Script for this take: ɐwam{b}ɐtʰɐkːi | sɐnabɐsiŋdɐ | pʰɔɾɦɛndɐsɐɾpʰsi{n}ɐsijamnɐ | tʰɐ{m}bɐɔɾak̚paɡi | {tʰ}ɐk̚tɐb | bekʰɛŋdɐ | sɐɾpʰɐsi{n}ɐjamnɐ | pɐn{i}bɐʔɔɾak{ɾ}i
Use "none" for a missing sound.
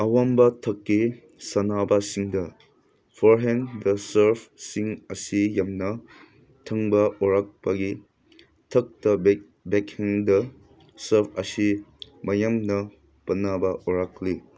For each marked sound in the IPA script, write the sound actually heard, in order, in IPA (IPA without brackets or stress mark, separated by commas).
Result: b, ŋ, ŋ, tʰ, m, a, l